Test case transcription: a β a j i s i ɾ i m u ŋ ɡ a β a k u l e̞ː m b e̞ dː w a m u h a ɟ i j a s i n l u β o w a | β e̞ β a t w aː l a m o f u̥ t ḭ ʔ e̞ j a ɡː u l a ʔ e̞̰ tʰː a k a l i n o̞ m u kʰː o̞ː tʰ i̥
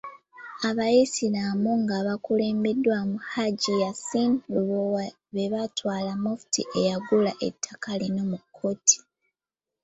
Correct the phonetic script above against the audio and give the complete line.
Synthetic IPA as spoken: a β a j i s i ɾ a m u ŋ ɡ a β a k u l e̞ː m b e̞ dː w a m u h a ɟ i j a s i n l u β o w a | β e̞ β a t w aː l a m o f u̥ t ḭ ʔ e̞ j a ɡ u l a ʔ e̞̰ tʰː a k a l i n o̞ m u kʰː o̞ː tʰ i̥